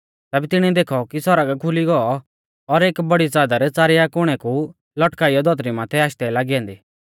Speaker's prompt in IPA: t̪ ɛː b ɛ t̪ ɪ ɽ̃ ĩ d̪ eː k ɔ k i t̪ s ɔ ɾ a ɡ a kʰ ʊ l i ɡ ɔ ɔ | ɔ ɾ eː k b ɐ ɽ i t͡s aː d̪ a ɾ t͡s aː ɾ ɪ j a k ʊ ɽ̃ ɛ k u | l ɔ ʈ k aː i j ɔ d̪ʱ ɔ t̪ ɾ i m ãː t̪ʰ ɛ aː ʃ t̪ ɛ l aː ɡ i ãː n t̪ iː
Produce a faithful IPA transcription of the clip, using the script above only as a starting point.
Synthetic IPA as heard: t̪ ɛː b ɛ t̪ ɪ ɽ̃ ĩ d̪ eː kʰ ɔ k i s ɔ ɾ a ɡ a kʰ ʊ l i ɡ ɔ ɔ | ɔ ɾ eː k b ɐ ɽ i t͡s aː d̪ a ɾ t͡s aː ɾ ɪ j a k ʊ ɽ̃ ɛ k u | l ɔ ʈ k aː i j ɔ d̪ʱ ɔ t̪ ɾ i m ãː t̪ʰ ɛ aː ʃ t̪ ɛ l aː ɡ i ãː n d̪ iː